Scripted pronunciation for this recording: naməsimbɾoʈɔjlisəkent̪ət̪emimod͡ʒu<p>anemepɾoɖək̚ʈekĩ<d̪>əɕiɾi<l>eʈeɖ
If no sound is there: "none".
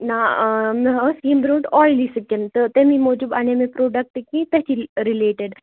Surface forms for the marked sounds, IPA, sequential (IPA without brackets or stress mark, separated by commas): b, t̪, l